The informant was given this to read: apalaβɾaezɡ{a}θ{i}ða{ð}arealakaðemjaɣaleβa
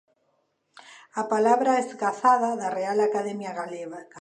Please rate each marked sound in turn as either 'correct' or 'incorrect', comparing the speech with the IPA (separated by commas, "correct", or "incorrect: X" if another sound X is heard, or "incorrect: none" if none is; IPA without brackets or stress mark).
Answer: correct, incorrect: a, correct